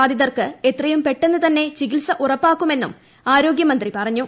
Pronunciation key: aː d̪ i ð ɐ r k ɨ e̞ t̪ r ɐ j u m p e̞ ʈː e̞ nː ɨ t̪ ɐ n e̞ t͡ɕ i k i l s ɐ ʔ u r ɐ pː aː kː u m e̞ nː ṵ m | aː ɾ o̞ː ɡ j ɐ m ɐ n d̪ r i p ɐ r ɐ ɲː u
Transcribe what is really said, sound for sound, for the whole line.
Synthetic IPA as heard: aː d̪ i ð ɐ r k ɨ e̞ t̪ r ɐ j u m p e̞ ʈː e̞ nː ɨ t̪ ɐ nː e̞ t͡ɕ i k i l s ɐ ʔ u r ɐ pː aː kː u m e̞ nː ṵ m | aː ɾ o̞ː ɡ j ɐ m ɐ n d̪ r i p ɐ r ɐ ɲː u